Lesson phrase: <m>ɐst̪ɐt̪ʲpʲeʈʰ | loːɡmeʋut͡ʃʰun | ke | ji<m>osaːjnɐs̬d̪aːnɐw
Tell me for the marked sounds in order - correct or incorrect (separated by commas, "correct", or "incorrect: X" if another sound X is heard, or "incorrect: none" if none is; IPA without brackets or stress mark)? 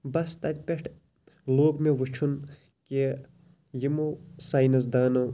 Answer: incorrect: b, correct